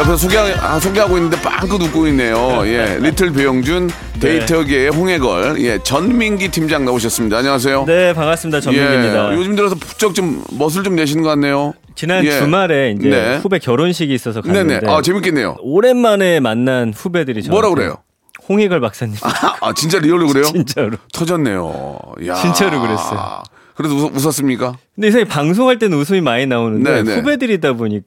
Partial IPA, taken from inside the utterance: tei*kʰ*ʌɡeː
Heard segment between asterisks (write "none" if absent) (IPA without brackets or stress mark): tʰ